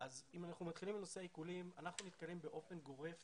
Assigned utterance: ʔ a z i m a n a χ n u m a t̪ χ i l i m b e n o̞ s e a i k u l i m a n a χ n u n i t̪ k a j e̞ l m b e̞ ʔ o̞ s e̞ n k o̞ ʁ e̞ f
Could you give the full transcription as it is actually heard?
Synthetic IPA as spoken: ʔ a z i m a n a χ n u m a t̪ χ i l i m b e n o̞ s e a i k u l i m a n a χ n u n i t̪ k a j e̞ m b e̞ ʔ o̞ f e̞ n ɡ o̞ ʁ e̞ f